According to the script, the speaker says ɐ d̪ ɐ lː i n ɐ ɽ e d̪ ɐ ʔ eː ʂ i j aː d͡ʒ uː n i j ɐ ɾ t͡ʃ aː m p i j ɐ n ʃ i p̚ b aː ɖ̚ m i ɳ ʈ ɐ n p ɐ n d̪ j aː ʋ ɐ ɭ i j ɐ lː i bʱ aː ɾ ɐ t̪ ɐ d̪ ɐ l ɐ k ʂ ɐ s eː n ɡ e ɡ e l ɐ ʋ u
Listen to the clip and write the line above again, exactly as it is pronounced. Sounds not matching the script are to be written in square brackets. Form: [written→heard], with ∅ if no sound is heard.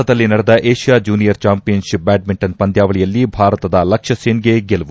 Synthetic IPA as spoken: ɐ d̪ ɐ lː i n ɐ ɽ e d̪ ɐ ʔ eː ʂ i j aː d͡ʒ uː n i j ɐ ɾ t͡ʃ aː m p i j ɐ n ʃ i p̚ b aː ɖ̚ m i ɳ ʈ ɐ n p ɐ n d̪ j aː ʋ ɐ ɭ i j ɐ lː i bʱ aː ɾ ɐ t̪ ɐ d̪ ɐ l ɐ k ʂ ɐ s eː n ɡ e ɡ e l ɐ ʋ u

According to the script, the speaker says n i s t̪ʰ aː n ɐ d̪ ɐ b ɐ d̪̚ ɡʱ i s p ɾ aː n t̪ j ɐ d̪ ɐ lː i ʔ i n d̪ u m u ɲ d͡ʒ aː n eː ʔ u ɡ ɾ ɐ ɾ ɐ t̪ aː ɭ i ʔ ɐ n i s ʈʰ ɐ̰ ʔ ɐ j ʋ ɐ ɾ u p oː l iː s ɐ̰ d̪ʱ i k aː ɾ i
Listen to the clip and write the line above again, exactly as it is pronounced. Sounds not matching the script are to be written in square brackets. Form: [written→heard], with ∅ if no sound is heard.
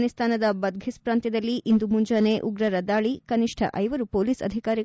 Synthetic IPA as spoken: n i s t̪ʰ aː n ɐ d̪ ɐ b ɐ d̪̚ ɡʱ i s p ɾ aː n t̪ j ɐ d̪ ɐ lː i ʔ i n d̪ u m u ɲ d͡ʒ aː n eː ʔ u ɡ ɾ ɐ ɾ ɐ [t̪→d̪] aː ɭ i [ʔ→k] ɐ n i [s→ʂ] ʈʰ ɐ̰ ʔ ɐ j ʋ ɐ ɾ u p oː l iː s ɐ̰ d̪ʱ i k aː ɾ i

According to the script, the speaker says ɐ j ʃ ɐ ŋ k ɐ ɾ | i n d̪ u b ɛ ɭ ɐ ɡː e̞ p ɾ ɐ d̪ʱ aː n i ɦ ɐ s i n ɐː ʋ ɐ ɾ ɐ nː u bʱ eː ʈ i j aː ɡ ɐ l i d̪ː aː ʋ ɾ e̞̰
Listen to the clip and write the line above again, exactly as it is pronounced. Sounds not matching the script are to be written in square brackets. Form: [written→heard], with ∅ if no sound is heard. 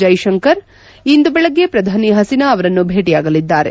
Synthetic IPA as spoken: ɐ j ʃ ɐ ŋ k ɐ ɾ | i n d̪ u b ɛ ɭ ɐ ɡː e̞ p ɾ ɐ d̪ʱ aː n i ɦ ɐ s i n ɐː ʋ ɐ ɾ ɐ nː u bʱ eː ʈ i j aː ɡ ɐ l i d̪ː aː [ʋ→∅] ɾ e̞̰

